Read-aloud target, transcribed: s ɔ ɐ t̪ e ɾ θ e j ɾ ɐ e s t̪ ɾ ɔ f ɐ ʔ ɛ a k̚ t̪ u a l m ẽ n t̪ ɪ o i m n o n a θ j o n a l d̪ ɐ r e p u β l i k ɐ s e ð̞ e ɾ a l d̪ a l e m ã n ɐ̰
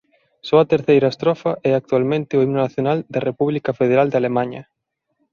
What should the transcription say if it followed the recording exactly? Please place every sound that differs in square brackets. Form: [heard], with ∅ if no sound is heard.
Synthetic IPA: s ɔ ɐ t̪ e ɾ θ e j ɾ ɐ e s t̪ ɾ ɔ f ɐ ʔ ɛ a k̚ t̪ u a l m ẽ n t̪ ɪ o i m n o n a θ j o n a l d̪ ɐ r e p u β l i k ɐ [f] e ð̞ e ɾ a l d̪ a l e m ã [ɲ] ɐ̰